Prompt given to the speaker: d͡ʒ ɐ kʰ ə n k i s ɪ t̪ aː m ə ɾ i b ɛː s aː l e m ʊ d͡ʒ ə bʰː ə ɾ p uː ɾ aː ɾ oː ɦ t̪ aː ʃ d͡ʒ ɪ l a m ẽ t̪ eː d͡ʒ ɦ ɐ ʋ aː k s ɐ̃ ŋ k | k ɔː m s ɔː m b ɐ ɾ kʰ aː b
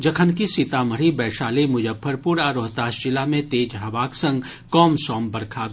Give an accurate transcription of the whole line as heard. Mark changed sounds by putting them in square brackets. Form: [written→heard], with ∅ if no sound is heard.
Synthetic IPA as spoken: d͡ʒ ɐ kʰ ə n k i s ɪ t̪ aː m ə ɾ i b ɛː [s→ʃ] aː l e m ʊ d͡ʒ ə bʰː ə ɾ p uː ɾ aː ɾ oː ɦ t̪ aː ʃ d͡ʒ ɪ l a m ẽ t̪ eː d͡ʒ ɦ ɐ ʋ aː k s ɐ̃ ŋ [k→ɡ] | k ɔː m s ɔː m b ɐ ɾ kʰ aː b